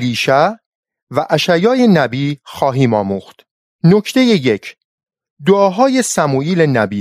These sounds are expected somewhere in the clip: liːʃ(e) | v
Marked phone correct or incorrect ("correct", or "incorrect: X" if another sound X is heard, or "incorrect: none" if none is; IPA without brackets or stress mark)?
incorrect: æ